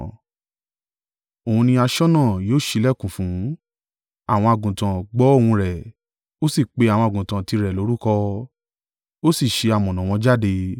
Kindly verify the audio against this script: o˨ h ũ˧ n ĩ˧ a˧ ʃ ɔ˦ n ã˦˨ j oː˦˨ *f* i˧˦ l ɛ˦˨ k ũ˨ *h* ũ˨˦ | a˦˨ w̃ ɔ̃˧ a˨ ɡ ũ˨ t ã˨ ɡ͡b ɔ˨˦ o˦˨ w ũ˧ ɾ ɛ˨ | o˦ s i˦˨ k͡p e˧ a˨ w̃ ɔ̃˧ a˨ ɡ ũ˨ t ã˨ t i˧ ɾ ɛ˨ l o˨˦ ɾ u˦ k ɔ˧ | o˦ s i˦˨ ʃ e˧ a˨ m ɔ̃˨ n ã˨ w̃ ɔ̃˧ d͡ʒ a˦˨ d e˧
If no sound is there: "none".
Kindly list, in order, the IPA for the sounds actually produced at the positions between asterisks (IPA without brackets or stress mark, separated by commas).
ʃ, f